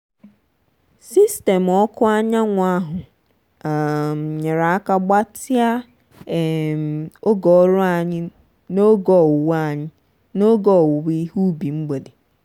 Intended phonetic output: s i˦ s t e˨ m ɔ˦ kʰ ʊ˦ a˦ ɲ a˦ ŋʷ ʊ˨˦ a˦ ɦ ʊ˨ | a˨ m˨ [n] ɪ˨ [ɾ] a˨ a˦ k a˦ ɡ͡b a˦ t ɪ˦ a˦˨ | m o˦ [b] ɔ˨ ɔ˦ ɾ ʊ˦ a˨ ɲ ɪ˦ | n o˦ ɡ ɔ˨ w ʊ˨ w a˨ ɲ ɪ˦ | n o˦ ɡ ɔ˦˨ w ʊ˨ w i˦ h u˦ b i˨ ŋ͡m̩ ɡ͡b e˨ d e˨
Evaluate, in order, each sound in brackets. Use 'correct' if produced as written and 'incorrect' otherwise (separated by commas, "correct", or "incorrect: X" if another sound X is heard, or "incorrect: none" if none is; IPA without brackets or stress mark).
incorrect: ɲ, correct, incorrect: ɡ